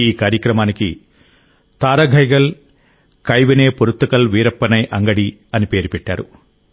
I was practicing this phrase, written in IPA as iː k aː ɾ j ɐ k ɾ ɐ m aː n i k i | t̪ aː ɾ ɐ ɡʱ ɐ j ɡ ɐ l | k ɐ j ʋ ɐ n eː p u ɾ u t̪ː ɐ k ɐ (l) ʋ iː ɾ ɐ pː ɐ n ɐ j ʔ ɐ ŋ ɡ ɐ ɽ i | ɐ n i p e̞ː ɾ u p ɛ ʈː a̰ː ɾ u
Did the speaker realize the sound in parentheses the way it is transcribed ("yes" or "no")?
yes